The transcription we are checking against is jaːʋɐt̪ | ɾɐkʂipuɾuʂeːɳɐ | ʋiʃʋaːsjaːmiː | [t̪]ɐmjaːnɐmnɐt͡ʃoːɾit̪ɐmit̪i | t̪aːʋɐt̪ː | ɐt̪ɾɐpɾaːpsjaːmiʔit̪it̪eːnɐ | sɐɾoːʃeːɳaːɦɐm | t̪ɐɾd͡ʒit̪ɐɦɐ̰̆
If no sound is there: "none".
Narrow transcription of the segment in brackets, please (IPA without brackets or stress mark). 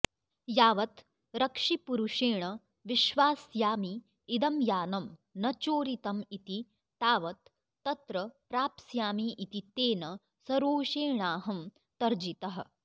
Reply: d̪